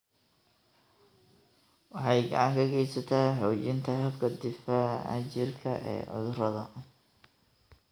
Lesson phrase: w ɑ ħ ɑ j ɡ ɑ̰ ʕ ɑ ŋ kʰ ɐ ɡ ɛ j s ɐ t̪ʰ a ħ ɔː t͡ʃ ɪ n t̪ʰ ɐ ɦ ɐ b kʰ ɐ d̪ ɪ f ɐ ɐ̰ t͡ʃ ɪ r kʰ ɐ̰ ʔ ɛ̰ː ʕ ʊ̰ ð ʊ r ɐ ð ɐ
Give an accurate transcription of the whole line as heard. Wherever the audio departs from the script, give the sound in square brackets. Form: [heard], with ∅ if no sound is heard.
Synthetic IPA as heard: w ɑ ħ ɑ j ɡ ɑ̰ ʕ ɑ ŋ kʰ ɐ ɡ ɛ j s ɐ t̪ʰ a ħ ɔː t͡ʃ ɪ n t̪ʰ ɐ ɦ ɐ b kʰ ɐ d̪ ɪ f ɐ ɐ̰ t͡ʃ ɪ r kʰ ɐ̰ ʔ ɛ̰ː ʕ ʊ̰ ð ʊ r ɐ ð ɐ